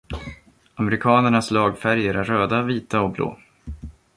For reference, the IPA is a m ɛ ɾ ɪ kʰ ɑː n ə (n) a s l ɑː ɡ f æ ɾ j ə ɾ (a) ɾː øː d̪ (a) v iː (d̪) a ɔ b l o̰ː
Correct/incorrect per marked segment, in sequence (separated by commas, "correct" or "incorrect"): incorrect, incorrect, correct, incorrect